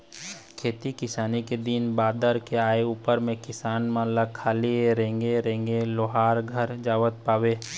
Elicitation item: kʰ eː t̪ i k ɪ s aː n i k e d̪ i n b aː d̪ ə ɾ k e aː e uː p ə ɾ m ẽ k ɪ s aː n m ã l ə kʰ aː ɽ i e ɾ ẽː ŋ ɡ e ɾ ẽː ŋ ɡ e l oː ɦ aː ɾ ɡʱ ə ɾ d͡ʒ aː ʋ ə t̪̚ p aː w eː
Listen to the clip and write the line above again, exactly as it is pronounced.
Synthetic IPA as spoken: kʰ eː t̪ i k ɪ s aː n i k e d̪ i n b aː d̪ ə ɾ k e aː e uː p ə ɾ m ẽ k ɪ s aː n m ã l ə kʰ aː l i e ɾ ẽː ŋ ɡ e ɾ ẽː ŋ ɡ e l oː ɦ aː ɾ ɡʱ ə ɾ d͡ʒ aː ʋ ə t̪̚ p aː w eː